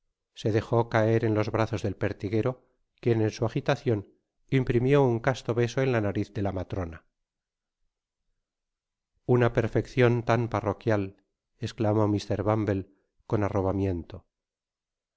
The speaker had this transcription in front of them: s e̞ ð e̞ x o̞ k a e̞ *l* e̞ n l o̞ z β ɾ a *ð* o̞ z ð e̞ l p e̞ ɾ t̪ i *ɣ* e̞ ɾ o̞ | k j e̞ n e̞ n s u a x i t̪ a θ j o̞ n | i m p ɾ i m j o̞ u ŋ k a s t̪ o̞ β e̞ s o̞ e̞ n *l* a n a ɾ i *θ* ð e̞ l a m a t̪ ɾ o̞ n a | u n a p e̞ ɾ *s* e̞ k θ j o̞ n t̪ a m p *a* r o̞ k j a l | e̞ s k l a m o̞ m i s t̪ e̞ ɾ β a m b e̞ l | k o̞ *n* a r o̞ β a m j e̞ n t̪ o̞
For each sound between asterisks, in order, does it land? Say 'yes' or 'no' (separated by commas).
no, no, yes, yes, yes, no, yes, yes